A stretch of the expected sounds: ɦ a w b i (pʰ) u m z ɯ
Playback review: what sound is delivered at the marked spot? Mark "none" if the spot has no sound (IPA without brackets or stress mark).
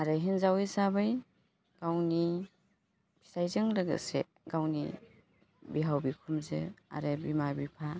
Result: kʰ